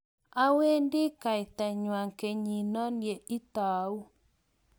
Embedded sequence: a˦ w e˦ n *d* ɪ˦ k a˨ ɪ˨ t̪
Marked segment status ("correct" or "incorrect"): correct